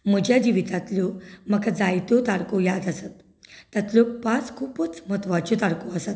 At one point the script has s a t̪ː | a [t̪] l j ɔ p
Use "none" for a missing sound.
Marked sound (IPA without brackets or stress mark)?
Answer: t̪